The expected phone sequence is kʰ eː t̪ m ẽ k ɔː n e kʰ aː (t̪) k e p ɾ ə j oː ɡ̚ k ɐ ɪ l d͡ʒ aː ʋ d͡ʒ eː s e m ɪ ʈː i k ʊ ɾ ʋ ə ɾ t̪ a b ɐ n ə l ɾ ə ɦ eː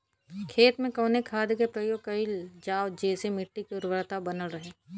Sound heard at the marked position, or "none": d̪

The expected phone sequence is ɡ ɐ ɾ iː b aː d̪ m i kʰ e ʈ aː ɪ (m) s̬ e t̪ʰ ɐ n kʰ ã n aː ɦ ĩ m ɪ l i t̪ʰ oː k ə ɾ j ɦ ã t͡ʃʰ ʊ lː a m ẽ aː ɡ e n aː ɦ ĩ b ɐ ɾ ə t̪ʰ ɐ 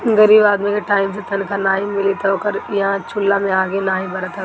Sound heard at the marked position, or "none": m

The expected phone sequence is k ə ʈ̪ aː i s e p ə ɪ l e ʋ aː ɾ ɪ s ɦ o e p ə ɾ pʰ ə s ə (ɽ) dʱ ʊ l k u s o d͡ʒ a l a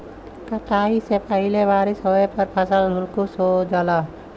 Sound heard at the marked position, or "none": l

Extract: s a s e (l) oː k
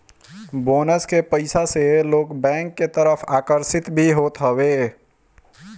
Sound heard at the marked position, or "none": l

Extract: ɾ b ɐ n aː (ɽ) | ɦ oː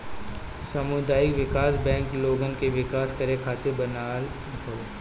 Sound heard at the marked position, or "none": l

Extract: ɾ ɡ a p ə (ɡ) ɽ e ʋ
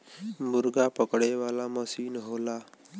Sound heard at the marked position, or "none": k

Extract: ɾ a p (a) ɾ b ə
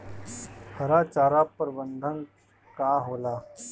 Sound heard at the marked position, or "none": ə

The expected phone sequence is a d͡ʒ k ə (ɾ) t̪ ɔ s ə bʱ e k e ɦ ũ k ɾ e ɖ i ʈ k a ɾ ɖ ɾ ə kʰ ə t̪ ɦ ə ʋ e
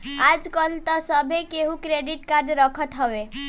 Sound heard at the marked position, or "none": l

